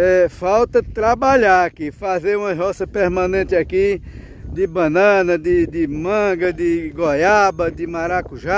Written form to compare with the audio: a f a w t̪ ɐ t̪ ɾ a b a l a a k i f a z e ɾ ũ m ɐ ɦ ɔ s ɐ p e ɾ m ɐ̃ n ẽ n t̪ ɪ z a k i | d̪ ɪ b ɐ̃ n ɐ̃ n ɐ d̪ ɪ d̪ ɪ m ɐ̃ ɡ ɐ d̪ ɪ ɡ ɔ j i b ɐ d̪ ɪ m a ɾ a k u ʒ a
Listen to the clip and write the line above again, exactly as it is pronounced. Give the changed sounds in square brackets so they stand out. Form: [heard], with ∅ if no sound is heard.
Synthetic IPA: [ɛ] f a w t̪ ɐ t̪ ɾ a b a [ʎ] a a k i f a z e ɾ ũ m ɐ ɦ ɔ s ɐ p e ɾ m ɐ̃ n ẽ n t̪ ɪ [∅] a k i | d̪ ɪ b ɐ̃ n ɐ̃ n ɐ d̪ ɪ d̪ ɪ m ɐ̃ ɡ ɐ d̪ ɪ ɡ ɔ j [a] b ɐ d̪ ɪ m a ɾ a k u ʒ a